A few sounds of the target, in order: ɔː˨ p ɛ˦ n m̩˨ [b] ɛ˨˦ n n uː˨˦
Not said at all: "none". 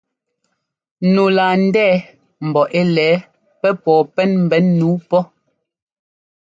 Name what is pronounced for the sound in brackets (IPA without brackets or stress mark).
b